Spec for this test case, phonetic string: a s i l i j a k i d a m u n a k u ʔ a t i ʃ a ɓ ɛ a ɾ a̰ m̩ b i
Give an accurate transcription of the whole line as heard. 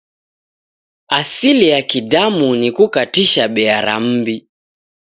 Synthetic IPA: a s i l i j a k i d a m u n i k u k a t i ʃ a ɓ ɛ a ɾ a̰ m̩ b i